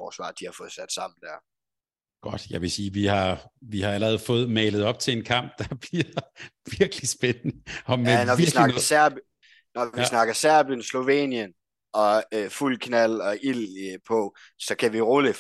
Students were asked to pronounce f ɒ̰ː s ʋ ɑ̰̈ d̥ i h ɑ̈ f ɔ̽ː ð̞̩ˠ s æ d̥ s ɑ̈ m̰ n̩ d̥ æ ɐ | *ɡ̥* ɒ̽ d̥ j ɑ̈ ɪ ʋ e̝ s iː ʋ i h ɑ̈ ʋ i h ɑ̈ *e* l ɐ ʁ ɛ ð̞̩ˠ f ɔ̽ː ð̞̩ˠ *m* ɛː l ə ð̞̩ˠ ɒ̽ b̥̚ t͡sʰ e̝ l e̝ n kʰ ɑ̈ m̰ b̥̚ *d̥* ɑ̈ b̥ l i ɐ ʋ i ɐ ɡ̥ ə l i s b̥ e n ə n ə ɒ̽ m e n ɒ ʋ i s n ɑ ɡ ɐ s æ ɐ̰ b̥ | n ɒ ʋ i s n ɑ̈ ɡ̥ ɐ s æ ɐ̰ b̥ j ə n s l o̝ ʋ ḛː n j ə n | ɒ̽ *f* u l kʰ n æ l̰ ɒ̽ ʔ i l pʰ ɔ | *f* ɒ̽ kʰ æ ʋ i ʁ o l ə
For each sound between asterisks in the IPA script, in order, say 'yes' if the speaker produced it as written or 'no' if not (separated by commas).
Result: yes, no, yes, yes, yes, no